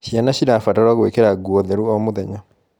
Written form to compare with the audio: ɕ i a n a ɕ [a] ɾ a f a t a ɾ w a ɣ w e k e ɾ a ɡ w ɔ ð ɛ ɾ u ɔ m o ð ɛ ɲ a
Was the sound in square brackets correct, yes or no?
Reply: no